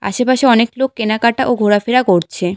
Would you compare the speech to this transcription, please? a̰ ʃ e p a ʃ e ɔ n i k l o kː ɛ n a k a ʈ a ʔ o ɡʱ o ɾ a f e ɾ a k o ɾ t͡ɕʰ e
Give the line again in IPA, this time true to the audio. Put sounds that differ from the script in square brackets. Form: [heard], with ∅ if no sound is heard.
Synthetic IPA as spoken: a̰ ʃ e p a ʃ e ɔ n [e] k l o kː [e] n a k a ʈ a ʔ o ɡʱ o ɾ a f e ɾ a k o ɾ t͡ɕʰ e